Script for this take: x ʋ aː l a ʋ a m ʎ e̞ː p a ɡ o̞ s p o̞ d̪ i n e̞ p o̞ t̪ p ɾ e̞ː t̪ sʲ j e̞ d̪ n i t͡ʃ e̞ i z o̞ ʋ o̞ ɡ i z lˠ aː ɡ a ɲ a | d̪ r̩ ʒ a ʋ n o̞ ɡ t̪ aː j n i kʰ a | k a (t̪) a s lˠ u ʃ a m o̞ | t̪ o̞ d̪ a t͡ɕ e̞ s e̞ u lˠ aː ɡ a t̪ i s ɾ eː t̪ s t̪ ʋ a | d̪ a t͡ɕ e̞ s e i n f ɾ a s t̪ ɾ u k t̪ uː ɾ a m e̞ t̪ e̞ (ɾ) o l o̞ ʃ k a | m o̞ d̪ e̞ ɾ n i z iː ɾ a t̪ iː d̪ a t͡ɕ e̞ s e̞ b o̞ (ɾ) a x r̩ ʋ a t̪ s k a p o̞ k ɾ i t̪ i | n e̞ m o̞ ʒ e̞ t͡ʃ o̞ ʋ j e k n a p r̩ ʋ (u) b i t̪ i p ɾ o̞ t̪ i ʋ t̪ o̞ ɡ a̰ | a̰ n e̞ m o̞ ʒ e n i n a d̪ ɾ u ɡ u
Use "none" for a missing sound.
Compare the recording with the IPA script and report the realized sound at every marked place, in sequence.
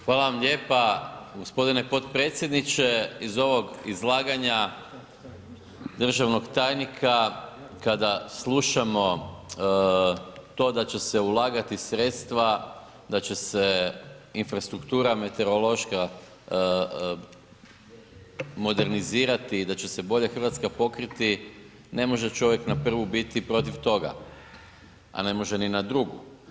d̪, ɾ, ʎ, u

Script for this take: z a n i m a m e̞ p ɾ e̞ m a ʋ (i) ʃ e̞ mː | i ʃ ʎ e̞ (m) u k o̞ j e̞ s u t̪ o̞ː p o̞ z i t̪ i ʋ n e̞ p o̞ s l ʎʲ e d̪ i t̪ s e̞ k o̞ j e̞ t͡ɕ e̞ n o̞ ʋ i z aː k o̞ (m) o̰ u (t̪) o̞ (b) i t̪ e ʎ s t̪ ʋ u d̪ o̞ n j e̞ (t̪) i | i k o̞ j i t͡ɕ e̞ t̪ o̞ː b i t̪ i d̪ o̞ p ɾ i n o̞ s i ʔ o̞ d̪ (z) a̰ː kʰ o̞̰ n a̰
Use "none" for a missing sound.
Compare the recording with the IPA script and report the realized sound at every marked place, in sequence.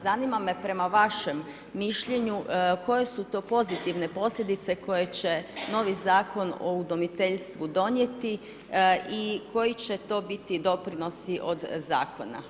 a, ɲ, n, d̪, m, t̪, z

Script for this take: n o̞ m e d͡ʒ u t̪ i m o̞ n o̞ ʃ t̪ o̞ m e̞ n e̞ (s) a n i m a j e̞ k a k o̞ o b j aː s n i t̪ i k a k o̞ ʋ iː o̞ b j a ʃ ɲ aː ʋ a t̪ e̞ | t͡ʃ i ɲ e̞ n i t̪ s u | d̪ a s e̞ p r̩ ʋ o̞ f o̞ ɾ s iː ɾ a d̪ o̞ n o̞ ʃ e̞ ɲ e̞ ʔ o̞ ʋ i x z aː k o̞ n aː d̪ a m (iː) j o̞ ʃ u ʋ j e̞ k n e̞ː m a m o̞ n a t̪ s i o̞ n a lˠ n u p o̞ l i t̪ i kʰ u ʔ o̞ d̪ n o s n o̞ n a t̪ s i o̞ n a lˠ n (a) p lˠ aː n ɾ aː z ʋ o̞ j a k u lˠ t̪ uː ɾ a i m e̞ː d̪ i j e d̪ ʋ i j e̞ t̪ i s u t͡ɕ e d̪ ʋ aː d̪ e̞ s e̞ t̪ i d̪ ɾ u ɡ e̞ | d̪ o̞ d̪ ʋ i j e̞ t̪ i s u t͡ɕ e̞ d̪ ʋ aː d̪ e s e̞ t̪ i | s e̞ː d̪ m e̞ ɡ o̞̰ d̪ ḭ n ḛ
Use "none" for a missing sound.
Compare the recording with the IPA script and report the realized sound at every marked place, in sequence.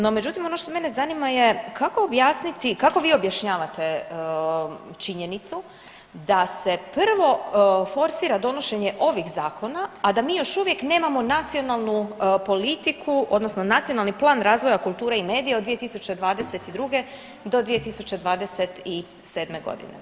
z, iː, i

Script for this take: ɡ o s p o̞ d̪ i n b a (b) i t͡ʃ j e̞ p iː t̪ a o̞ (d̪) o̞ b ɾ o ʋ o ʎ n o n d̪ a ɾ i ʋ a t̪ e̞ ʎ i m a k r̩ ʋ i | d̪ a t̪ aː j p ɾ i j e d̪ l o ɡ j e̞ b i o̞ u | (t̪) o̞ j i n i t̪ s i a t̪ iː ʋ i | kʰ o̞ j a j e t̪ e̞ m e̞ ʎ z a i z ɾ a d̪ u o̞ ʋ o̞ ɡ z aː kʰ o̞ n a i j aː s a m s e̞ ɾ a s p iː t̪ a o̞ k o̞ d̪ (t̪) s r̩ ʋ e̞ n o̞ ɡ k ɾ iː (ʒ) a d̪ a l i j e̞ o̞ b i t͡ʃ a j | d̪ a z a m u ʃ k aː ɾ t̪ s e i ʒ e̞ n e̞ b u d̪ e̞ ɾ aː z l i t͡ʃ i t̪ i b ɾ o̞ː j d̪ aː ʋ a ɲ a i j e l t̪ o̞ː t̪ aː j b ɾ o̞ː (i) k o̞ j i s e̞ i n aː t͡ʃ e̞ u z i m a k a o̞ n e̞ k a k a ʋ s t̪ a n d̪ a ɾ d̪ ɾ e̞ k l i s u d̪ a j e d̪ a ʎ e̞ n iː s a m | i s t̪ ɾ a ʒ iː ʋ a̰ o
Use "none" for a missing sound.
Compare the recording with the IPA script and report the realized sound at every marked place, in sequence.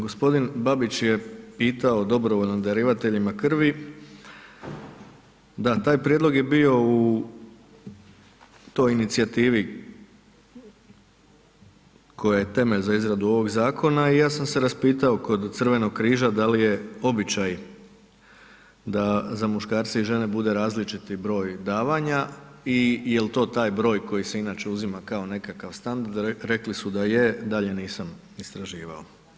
b, d̪, t̪, t̪, ʒ, j

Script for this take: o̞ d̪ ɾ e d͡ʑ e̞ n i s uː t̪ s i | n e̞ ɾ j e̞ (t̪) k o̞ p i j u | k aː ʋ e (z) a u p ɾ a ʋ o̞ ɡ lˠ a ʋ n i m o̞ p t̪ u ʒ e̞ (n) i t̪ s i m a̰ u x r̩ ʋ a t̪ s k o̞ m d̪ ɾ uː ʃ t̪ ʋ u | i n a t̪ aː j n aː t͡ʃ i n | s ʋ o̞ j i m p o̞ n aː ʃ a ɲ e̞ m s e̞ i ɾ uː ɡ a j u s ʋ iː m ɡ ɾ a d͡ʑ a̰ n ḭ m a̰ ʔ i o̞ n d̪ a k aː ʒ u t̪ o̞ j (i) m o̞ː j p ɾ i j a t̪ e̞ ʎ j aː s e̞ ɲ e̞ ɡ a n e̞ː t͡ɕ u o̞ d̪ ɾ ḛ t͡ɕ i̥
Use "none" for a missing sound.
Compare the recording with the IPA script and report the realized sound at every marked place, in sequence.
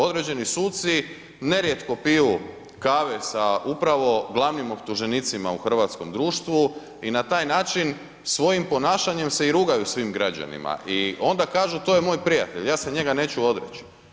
t̪, s, n, e

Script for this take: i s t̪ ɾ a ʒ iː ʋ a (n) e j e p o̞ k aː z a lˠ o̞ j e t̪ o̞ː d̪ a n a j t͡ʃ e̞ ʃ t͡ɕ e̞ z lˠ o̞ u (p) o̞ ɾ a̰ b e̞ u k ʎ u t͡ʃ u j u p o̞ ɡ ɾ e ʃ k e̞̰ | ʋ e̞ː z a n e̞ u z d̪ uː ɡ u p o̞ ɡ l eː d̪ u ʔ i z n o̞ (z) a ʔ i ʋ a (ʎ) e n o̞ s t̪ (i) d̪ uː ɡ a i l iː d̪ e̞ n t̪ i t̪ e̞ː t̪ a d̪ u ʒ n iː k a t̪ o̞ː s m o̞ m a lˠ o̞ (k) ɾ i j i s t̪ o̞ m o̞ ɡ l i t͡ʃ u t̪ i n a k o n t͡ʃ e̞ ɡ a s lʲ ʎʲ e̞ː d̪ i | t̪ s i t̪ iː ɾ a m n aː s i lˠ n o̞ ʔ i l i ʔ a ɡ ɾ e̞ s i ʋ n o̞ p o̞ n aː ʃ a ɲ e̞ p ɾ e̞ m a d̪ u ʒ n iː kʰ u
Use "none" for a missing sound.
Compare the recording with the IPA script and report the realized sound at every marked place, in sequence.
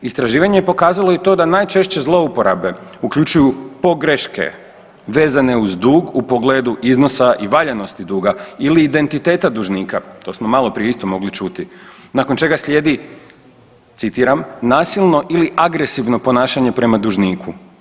ɲ, p, s, ʎ, i, p

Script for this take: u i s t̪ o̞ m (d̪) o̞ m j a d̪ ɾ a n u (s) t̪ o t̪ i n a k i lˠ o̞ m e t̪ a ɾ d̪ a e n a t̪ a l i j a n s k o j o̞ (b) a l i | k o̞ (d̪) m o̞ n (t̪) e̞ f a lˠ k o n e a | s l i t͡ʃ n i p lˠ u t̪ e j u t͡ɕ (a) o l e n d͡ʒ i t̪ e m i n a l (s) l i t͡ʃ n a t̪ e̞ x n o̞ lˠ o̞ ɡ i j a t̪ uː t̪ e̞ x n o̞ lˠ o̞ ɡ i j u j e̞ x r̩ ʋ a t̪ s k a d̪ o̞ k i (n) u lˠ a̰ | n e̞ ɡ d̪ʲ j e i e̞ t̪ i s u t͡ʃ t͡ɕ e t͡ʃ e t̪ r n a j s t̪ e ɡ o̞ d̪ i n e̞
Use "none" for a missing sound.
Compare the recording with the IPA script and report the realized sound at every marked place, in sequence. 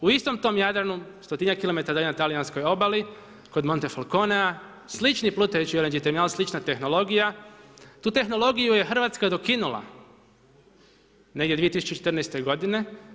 t̪, s, b, d̪, t̪, i, s, n

